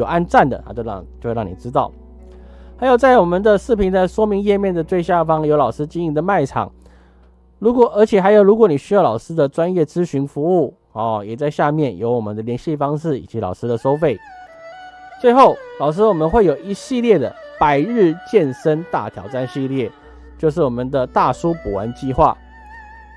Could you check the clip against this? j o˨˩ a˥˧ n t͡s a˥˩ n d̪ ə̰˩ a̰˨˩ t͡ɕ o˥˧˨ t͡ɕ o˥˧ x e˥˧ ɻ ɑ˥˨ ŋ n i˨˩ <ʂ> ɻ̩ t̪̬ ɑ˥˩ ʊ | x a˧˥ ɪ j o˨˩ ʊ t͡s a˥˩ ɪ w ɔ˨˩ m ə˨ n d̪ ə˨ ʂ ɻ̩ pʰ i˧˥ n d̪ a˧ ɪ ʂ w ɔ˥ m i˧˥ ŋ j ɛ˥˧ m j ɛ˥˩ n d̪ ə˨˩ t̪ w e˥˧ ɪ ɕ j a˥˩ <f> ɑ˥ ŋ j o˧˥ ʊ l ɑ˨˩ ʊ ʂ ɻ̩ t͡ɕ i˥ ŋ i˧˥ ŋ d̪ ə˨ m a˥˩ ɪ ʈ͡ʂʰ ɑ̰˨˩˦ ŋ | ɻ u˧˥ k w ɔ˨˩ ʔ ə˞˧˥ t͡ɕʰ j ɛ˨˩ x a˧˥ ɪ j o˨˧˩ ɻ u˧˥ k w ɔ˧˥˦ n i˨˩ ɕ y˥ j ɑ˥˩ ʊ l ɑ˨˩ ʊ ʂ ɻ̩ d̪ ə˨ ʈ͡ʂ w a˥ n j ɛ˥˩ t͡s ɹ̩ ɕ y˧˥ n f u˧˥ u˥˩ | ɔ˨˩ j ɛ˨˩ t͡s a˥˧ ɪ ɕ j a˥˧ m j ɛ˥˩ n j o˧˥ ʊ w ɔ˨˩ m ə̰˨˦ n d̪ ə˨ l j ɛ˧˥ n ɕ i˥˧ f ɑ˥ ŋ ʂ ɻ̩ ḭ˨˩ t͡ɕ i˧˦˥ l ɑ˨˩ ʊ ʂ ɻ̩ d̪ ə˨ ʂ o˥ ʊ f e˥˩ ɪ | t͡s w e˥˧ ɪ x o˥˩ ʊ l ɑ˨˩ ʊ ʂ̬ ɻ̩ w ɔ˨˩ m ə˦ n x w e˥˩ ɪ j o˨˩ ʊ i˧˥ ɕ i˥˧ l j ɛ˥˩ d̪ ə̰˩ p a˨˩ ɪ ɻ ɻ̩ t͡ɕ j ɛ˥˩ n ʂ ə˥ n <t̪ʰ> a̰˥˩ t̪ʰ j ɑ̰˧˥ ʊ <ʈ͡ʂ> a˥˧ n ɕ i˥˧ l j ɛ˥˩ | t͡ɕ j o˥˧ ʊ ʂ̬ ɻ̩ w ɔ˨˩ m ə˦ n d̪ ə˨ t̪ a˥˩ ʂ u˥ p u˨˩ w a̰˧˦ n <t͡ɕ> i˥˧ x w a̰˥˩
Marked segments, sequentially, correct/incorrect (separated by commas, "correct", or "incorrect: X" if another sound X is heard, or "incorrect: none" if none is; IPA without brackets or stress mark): incorrect: ʈ͡ʂ, correct, incorrect: t̪, correct, correct